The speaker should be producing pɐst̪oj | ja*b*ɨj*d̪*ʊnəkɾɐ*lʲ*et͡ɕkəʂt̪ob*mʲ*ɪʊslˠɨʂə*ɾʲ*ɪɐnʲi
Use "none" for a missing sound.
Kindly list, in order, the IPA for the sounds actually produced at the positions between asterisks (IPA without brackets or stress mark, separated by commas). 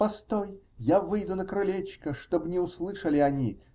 v, d̪, lʲ, nʲ, lʲ